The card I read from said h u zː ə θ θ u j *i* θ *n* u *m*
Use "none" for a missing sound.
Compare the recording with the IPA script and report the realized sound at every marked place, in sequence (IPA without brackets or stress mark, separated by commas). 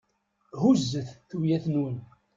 æ, n, n